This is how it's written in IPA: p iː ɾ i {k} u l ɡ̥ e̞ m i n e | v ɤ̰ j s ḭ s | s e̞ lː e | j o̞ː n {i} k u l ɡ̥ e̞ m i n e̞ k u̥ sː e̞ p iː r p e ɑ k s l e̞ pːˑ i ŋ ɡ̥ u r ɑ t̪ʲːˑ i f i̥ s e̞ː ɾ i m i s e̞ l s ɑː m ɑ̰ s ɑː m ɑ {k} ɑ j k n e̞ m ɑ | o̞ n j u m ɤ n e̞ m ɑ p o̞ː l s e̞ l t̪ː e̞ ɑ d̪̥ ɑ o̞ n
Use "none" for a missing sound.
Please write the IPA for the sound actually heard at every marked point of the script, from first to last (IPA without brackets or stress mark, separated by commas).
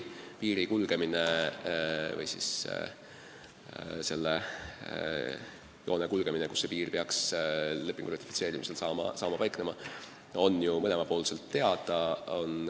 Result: k, e, p